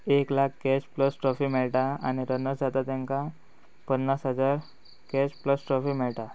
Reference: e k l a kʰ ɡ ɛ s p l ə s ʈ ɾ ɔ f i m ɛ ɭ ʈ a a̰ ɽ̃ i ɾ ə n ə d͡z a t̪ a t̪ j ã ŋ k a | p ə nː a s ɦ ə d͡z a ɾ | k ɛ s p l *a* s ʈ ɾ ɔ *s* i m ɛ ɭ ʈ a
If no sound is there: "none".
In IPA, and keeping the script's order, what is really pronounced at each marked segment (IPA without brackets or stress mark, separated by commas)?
ə, f